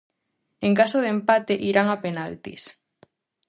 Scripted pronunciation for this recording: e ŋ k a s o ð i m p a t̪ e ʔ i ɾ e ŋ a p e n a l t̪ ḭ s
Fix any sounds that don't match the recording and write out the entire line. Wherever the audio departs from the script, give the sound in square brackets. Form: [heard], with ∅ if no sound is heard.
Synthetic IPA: e ŋ k a s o ð [e] m p a t̪ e ʔ i ɾ [a] ŋ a p e n a l t̪ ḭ s